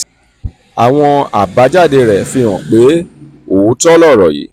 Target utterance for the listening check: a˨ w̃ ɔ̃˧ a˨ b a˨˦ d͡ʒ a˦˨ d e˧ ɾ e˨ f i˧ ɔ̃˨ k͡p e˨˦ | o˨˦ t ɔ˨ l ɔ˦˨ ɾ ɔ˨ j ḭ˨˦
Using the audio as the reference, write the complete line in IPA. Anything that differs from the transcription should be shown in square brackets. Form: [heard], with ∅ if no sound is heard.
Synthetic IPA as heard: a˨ w̃ ɔ̃˧ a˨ b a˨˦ d͡ʒ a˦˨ d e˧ ɾ [ɛ˨] f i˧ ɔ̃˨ k͡p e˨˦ | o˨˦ t [ɔ˦] l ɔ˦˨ ɾ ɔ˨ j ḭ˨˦